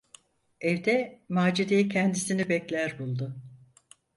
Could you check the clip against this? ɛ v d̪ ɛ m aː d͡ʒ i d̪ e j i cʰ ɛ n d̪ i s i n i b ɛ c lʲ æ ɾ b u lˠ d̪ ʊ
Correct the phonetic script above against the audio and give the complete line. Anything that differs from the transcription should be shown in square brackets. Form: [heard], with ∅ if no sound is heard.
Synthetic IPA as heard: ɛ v d̪ ɛ m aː d͡ʒ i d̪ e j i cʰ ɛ n d̪ i s i n i b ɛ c lʲ æ ɾ b u lˠ d̪ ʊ